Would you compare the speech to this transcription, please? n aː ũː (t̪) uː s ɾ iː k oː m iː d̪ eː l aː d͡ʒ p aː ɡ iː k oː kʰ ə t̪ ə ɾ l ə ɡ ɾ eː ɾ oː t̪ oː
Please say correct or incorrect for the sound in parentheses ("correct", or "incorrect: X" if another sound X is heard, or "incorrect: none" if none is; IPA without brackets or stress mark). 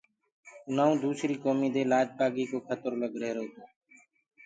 incorrect: d̪